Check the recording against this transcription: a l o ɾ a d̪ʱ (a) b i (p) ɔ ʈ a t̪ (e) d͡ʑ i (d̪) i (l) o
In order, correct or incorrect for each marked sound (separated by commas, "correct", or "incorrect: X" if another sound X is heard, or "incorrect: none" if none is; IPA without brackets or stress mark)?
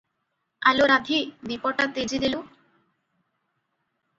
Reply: incorrect: i, correct, correct, correct, correct